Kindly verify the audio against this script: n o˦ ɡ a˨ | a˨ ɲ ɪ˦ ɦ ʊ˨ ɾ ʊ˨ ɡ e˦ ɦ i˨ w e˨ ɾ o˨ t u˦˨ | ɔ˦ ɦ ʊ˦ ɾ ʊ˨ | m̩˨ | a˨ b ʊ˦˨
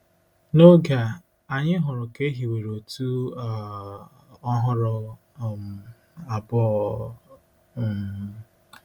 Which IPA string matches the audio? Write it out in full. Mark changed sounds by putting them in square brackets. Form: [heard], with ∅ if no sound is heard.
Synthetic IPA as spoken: n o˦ ɡ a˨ | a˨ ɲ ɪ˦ ɦ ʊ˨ ɾ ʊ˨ [k] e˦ ɦ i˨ w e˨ ɾ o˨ t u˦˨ | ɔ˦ ɦ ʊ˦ ɾ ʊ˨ | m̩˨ | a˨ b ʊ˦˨